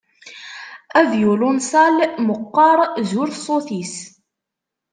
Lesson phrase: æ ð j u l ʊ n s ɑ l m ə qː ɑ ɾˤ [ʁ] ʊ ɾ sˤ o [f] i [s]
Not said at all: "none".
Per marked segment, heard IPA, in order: z, θ, s

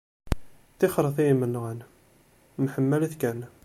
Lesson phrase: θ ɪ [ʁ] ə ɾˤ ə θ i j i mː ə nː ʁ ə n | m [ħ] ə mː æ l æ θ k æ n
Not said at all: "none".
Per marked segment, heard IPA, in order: χ, ħ

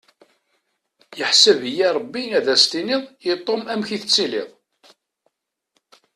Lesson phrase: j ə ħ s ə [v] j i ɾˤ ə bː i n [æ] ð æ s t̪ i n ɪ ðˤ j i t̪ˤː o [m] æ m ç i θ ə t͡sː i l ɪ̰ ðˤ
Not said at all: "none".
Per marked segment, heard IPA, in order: v, æ, m

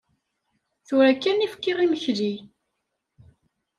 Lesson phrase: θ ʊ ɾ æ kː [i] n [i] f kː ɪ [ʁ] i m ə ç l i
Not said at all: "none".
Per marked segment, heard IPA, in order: æ, i, ʁ

